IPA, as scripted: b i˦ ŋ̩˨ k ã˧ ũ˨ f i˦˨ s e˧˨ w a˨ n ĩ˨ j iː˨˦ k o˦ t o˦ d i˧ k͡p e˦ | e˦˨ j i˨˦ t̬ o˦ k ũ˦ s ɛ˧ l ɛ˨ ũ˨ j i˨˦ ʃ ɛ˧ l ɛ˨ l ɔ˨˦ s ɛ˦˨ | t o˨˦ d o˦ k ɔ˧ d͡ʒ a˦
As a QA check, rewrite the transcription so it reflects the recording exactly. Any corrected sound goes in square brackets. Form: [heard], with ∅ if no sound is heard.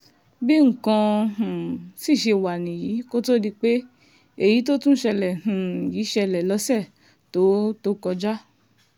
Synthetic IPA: b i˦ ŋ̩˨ k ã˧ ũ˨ [s] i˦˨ [ʃ] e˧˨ w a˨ n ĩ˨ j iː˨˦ k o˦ t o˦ d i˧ k͡p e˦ | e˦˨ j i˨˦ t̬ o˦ [t] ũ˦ [ʃ] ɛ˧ l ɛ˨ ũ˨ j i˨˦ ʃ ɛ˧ l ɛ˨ l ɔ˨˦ s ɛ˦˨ | t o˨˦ [t] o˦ k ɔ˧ d͡ʒ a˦